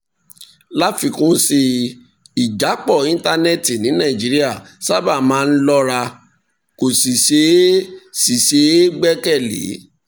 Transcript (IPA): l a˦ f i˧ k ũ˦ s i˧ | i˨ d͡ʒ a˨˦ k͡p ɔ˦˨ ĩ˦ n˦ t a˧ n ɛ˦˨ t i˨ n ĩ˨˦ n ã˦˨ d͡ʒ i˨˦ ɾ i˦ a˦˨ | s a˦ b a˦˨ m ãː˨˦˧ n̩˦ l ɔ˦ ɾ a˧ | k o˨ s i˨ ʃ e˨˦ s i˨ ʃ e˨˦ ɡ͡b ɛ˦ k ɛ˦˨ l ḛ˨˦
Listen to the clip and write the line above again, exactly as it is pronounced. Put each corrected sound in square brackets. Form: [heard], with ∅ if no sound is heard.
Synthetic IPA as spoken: l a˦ f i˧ k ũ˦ s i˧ | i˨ d͡ʒ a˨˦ k͡p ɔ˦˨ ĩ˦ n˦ t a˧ n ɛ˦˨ t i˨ n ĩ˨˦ n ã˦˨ d͡ʒ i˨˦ ɾ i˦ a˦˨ | s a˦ b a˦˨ m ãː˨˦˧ n̩˦ l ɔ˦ ɾ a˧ | k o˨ s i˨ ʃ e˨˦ s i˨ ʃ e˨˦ ɡ͡b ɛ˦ k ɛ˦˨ l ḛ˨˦

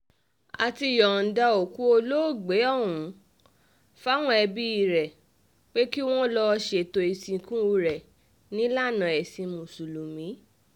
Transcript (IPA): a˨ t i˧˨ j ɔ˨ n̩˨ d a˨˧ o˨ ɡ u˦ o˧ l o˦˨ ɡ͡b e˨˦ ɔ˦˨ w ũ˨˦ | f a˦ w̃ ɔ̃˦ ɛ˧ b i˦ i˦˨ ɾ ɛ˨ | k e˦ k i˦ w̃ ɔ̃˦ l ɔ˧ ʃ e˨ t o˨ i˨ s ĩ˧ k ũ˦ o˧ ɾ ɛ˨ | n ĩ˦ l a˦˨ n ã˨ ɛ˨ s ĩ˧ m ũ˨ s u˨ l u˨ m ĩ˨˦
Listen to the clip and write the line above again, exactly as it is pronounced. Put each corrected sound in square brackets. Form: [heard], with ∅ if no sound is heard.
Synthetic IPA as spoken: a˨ t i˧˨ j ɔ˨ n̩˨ d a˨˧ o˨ [k] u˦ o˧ l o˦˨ ɡ͡b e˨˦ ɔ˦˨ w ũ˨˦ | f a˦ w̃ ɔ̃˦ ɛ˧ b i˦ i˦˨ ɾ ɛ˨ | [k͡p] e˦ k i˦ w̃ ɔ̃˦ l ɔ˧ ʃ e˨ t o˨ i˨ s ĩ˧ k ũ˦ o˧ ɾ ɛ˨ | n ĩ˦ l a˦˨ n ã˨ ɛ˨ s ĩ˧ m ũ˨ s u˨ l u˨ m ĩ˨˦

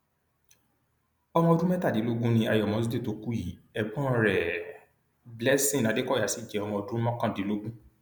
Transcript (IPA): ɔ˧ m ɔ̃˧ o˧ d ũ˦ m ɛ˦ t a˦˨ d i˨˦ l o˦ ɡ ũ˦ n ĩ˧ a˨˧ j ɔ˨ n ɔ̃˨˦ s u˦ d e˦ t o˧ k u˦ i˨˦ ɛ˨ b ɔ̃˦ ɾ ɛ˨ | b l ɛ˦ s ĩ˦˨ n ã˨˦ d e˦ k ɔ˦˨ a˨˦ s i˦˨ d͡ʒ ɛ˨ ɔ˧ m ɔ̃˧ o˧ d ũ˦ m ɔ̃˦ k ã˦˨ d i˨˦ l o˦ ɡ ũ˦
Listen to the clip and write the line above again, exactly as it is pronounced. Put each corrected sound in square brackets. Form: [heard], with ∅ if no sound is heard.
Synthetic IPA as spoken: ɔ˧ m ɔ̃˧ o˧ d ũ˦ m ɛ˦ t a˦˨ d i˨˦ l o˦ ɡ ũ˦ n ĩ˧ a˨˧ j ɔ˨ [m] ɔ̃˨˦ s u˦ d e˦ t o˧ k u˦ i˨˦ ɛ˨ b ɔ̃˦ ɾ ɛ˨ | b l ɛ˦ s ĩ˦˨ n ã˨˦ d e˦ k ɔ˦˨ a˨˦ s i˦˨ d͡ʒ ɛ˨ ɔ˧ m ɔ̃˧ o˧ d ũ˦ m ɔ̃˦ k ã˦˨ d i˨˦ l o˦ ɡ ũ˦

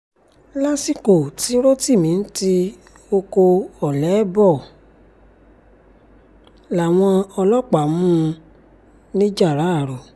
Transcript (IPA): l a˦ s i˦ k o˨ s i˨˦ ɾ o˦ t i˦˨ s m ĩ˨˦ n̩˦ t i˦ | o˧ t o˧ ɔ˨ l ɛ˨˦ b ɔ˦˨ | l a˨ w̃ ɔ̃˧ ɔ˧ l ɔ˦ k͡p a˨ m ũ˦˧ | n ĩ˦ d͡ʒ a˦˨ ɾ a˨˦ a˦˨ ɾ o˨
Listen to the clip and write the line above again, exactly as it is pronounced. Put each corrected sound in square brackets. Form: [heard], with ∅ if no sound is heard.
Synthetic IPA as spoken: l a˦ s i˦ k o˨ [t] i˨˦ ɾ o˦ t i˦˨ [∅] m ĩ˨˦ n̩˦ t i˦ | o˧ [k] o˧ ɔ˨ l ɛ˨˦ b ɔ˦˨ | l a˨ w̃ ɔ̃˧ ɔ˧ l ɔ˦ k͡p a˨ m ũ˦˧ | n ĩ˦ d͡ʒ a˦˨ ɾ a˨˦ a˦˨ ɾ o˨

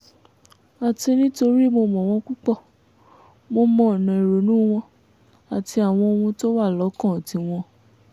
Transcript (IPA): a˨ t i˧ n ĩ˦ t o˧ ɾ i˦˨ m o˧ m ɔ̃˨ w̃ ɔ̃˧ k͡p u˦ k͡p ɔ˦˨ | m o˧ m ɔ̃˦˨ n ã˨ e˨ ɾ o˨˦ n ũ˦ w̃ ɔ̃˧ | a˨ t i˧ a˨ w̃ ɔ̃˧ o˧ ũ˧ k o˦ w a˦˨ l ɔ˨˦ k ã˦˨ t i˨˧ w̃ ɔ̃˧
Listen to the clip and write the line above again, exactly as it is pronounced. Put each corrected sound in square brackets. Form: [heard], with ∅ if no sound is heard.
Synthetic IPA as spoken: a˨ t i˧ n ĩ˦ t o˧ ɾ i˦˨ m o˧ m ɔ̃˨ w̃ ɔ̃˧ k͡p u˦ k͡p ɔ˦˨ | m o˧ m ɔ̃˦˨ n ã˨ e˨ ɾ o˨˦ n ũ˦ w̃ ɔ̃˧ | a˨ t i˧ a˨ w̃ ɔ̃˧ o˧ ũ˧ [t] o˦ w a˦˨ l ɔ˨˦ k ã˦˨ t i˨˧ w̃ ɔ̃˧

